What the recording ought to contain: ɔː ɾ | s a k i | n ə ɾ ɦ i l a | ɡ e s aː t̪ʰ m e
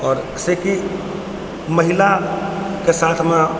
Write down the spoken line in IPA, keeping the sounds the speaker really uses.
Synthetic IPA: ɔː ɾ | s e k i | m ə ɦ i l a | k e s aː t̪ʰ m e

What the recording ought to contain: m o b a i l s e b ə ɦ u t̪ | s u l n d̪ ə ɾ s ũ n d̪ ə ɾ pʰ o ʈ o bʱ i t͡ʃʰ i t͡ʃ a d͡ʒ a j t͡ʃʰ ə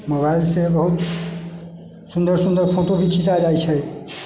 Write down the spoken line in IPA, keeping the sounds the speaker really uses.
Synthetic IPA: m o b a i l s e b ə ɦ u t̪ | s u n d̪ ə ɾ s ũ n d̪ ə ɾ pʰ o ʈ o bʱ i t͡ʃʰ i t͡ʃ a d͡ʒ a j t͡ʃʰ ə

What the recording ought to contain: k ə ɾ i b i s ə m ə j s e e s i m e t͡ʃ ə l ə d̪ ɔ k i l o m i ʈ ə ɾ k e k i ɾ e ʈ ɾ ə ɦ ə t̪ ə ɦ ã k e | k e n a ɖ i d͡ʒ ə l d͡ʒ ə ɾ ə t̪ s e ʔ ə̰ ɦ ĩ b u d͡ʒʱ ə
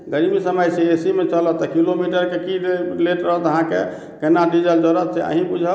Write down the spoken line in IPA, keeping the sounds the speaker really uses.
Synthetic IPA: ɡ ə ɾ i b i s ə m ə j s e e s i m e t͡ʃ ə l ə t̪ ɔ k i l o m i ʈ ə ɾ k e k i l e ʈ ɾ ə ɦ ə t̪ ə ɦ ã k e | k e n a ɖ i d͡ʒ ə l d͡ʒ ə ɾ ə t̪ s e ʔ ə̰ ɦ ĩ b u d͡ʒʱ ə

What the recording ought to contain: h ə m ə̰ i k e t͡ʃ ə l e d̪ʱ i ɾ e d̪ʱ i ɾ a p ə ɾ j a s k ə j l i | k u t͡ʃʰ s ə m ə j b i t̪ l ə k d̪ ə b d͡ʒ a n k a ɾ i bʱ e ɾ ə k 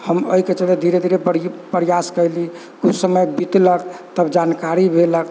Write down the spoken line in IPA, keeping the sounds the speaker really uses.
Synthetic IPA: h ə m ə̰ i k e t͡ʃ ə l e d̪ʱ i ɾ e d̪ʱ i ɾ e p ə ɾ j a s k ə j l i | k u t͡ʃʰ s ə m ə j b i t̪ l ə k t̪ ə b d͡ʒ a n k a ɾ i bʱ e l ə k

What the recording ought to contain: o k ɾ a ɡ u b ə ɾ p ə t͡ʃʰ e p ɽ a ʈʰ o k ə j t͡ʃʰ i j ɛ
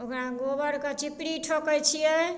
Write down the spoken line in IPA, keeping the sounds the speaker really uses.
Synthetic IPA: o k ɾ a ɡ o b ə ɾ k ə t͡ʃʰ i p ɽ i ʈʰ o k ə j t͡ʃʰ i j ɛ

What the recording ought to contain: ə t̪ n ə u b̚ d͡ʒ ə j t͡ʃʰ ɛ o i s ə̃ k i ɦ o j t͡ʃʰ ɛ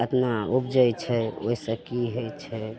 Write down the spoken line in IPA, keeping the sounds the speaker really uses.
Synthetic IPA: ə t̪ n a u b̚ d͡ʒ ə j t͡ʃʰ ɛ o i s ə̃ k i ɦ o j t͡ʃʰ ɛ

